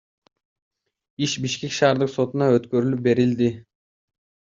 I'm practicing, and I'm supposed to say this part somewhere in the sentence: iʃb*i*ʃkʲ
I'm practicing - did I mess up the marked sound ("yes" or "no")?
no